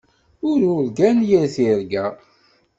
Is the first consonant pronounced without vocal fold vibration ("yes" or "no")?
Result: no